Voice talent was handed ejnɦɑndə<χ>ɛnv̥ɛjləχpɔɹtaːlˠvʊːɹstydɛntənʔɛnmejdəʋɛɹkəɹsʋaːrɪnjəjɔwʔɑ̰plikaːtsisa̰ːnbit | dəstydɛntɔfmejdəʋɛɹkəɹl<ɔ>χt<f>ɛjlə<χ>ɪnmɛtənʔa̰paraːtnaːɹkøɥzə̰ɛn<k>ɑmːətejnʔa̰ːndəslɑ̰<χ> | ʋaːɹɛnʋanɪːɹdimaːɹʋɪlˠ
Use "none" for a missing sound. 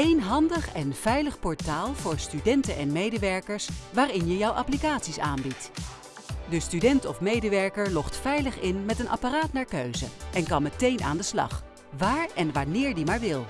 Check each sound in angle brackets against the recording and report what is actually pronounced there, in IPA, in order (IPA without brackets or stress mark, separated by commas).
χ, ɔ, f, χ, k, χ